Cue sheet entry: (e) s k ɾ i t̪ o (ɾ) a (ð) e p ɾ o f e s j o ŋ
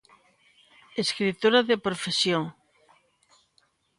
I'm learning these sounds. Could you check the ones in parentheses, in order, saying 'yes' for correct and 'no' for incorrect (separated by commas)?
yes, yes, yes